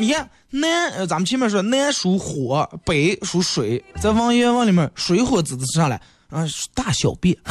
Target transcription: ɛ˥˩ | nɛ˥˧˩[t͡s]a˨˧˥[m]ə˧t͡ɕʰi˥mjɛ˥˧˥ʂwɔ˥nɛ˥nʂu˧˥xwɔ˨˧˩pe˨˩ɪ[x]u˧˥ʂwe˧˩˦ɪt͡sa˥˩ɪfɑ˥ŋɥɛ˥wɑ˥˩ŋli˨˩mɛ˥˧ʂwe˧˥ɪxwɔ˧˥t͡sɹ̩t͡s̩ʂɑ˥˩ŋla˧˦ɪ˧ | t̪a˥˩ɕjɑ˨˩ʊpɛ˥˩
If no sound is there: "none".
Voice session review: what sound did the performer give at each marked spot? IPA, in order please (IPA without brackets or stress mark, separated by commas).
t͡s, m, ʂ